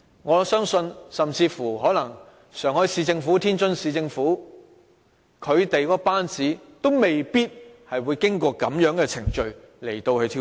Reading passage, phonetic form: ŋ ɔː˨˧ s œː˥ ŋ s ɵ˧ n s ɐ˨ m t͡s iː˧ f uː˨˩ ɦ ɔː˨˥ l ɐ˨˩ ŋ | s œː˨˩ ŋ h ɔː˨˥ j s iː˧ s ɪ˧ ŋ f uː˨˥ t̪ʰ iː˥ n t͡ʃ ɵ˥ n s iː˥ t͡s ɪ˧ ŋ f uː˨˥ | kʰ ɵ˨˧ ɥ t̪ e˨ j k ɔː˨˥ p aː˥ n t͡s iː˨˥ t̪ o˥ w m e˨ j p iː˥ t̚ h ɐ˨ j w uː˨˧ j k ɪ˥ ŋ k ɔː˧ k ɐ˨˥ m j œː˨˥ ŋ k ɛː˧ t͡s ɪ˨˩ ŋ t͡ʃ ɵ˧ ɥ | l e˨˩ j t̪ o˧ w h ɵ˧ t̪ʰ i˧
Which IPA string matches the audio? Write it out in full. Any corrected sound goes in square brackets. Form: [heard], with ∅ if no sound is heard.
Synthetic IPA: ŋ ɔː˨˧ s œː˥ ŋ s ɵ˧ n s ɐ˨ m t͡s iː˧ f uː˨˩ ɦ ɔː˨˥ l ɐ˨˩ ŋ | s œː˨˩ ŋ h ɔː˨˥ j s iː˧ [t͡s] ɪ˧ ŋ f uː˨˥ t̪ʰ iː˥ n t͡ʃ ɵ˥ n s [iː˧] t͡s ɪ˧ ŋ f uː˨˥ | kʰ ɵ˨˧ ɥ t̪ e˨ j k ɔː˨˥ p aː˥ n t͡s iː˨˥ t̪ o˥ w m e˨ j p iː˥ t̚ h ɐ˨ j w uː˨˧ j k ɪ˥ ŋ k ɔː˧ k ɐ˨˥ m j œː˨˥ ŋ k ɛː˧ [t͡sʰ] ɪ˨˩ ŋ t͡ʃ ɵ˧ ɥ | l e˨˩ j t̪ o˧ w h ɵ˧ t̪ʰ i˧